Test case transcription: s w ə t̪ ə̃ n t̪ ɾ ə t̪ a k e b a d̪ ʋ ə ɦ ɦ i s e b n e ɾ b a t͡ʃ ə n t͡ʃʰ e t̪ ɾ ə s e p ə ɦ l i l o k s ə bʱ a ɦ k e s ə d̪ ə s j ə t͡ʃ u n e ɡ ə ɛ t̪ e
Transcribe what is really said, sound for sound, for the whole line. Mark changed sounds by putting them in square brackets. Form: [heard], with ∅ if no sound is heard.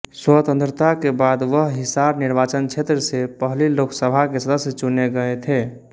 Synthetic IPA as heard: s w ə t̪ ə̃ n t̪ ɾ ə t̪ a k e b a d̪ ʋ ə ɦ ɦ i s [a] b n [i] ɾ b a t͡ʃ ə n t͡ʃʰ e t̪ ɾ ə s e p ə ɦ l i l o k s ə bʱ a [∅] k e s ə d̪ ə s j ə t͡ʃ u n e ɡ ə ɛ [t̪ʰ] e